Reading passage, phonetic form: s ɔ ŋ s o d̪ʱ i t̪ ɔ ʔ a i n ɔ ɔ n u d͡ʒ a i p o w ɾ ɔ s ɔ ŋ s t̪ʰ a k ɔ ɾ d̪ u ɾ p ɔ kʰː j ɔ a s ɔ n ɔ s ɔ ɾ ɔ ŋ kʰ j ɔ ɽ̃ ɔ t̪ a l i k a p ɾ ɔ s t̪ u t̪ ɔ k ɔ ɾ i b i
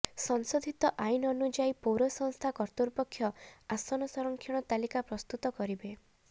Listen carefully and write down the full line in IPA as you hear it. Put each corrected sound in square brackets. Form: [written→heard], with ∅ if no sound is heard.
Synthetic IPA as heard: s ɔ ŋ s o d̪ʱ i t̪ ɔ ʔ a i n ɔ ɔ n u d͡ʒ a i p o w ɾ ɔ s ɔ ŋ s t̪ʰ a k ɔ ɾ [d̪→t̪] u ɾ p ɔ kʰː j ɔ a s ɔ n ɔ s ɔ ɾ ɔ ŋ kʰ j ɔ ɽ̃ ɔ t̪ a l i k a p ɾ ɔ s t̪ u t̪ ɔ k ɔ ɾ i b [i→e]

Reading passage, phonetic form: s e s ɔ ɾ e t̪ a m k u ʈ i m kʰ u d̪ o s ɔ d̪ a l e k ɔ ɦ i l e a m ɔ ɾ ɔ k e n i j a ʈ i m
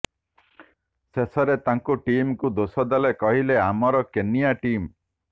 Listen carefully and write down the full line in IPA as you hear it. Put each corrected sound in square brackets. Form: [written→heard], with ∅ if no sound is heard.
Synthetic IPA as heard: s e s ɔ ɾ e t̪ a [m→ŋ] k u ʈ i m [kʰ→k] u d̪ o s ɔ d̪ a l e k ɔ ɦ i l e a m ɔ ɾ ɔ k e n i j a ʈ i m

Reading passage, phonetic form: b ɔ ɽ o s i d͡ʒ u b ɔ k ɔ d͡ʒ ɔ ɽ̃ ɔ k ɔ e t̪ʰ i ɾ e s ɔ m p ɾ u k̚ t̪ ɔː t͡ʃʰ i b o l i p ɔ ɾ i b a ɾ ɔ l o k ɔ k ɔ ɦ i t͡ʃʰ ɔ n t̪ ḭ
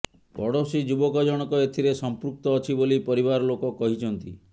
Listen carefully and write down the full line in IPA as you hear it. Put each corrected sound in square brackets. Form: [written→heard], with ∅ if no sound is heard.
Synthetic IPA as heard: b ɔ ɽ o s i d͡ʒ u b ɔ k ɔ d͡ʒ ɔ ɽ̃ ɔ k ɔ e t̪ʰ i ɾ e s ɔ m p ɾ u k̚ t̪ ɔː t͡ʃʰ i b o l i p ɔ ɾ i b a ɾ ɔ l o k ɔ k ɔ ɦ i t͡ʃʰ ɔ n t̪ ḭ

